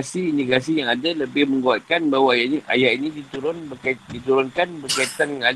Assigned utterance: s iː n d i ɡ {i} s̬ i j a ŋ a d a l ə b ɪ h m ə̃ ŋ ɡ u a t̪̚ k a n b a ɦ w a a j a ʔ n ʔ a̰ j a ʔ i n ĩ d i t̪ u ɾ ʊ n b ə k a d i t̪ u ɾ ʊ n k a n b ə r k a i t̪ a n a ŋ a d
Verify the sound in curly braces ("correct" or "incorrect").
incorrect